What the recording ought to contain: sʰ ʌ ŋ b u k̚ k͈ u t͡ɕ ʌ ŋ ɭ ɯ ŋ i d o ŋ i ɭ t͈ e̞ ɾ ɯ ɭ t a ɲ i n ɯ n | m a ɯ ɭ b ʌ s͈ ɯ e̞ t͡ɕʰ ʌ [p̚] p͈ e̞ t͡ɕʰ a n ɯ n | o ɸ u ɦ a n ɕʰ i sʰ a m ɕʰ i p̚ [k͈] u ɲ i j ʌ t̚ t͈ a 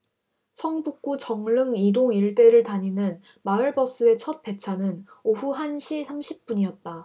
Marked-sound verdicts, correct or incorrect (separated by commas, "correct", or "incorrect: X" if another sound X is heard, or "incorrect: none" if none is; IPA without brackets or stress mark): incorrect: t̚, incorrect: p͈